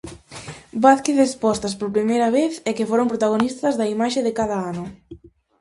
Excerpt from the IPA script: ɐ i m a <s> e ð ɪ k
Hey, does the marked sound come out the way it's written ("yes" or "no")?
no